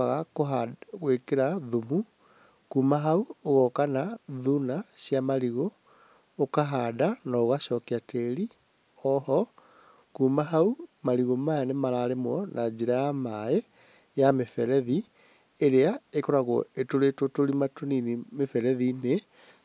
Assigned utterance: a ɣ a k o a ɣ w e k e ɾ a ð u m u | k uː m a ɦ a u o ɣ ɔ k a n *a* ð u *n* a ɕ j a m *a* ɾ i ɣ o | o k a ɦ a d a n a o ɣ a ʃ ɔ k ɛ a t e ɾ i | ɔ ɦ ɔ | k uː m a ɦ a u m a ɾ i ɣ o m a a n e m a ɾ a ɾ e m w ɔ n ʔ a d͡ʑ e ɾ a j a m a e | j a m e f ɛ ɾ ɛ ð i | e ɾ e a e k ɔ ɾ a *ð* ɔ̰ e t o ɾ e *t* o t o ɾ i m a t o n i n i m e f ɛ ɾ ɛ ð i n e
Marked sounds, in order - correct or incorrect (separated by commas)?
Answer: correct, correct, correct, incorrect, correct